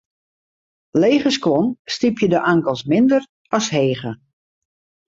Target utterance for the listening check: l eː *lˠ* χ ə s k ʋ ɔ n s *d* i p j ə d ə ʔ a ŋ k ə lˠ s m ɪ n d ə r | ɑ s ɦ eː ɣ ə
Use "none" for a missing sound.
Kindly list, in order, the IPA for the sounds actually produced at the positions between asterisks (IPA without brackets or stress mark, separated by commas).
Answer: none, t